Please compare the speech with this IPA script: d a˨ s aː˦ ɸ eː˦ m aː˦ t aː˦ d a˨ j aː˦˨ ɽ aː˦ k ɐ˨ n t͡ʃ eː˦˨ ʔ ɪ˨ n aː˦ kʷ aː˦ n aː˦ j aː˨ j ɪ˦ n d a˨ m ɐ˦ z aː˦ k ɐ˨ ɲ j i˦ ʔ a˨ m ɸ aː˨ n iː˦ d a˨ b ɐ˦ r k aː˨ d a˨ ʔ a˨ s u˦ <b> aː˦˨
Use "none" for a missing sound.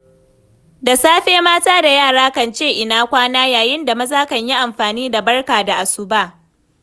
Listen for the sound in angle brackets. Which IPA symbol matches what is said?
b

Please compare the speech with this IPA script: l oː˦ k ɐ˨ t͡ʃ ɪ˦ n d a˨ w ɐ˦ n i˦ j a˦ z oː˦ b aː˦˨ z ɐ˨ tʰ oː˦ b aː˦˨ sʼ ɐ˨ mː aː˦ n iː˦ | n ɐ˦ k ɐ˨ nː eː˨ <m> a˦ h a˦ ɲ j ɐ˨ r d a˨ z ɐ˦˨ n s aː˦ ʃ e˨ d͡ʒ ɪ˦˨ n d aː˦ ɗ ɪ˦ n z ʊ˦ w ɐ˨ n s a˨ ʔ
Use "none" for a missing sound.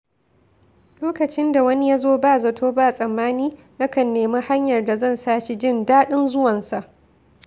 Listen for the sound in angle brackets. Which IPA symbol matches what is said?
m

